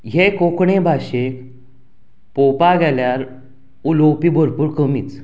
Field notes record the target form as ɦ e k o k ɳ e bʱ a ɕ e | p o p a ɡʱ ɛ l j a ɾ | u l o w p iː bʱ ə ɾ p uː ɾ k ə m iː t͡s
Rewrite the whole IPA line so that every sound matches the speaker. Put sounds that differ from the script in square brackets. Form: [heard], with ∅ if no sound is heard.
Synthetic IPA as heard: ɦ e k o k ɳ e bʱ a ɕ e | p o p a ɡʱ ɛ l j a ɾ | u l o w p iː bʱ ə ɾ p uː ɾ k ə m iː t͡s

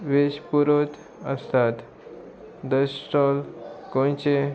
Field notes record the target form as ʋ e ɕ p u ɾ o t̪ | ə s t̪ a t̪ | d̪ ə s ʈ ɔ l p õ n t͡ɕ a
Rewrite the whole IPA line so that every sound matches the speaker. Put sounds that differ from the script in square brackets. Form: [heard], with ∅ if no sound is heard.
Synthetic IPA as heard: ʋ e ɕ p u ɾ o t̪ | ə s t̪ a t̪ | d̪ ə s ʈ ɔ l [k] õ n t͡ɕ [e]

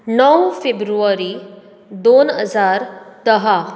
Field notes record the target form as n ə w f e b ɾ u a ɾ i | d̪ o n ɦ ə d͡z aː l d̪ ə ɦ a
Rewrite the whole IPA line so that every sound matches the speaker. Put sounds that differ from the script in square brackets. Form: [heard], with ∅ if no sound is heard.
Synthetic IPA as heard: n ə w f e b ɾ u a ɾ i | d̪ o n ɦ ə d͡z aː [ɾ] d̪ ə ɦ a

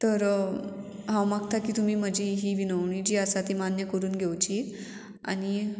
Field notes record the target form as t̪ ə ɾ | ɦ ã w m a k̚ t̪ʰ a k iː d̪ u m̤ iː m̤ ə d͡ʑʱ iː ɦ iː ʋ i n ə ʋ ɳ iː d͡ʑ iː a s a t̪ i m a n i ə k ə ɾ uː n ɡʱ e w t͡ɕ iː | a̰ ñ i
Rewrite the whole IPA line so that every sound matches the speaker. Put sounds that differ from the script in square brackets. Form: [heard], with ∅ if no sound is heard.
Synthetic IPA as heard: t̪ ə ɾ | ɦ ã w m a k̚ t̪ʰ a k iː [t̪] u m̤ iː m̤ ə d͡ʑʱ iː ɦ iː ʋ i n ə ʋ ɳ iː d͡ʑ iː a s a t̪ i m a n [j] ə k ə ɾ uː n ɡʱ e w t͡ɕ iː | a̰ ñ i

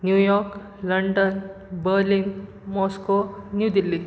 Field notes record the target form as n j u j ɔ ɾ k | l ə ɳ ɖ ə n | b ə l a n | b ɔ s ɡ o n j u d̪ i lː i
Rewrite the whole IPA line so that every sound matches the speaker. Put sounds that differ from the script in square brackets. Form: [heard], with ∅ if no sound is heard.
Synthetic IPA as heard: n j u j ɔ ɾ k | l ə ɳ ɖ ə n | b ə l [i] n | [m] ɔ s [k] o n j u d̪ i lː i

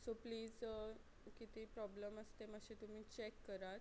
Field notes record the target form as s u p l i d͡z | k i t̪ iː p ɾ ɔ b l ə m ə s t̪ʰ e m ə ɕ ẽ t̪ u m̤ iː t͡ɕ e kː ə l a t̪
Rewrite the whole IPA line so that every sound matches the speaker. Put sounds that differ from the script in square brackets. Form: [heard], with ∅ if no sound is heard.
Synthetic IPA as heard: s [o] p l [iː] d͡z | k i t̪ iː p ɾ ɔ b l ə m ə s [t̪] e m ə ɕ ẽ t̪ u m̤ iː t͡ɕ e kː ə [ɾ] a t̪

